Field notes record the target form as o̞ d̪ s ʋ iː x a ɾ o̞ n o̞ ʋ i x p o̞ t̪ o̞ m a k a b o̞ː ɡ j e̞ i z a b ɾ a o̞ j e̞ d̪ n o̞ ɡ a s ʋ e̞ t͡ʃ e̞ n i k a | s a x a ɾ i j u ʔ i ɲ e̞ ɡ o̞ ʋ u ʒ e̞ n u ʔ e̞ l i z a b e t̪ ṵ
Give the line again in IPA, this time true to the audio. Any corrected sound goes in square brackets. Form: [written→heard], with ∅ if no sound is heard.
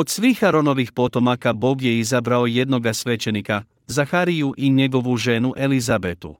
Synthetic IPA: o̞ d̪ s ʋ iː x a ɾ o̞ n o̞ ʋ i x p o̞ t̪ o̞ m a k a b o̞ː ɡ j e̞ i z a b ɾ a o̞ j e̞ d̪ n o̞ ɡ a s ʋ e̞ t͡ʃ e̞ n i k a | [s→z] a x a ɾ i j u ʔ i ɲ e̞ ɡ o̞ ʋ u ʒ e̞ n u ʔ e̞ l i z a b e t̪ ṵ